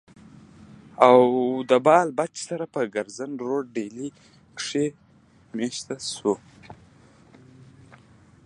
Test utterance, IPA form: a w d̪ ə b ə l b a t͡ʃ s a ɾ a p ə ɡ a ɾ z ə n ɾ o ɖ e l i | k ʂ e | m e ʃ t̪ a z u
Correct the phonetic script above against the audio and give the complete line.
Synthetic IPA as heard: a w d̪ ə b ɑ l b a t͡ʃ s a ɾ a p ə ɡ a ɾ z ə n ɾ o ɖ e l i | k ʂ e | m e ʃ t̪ a s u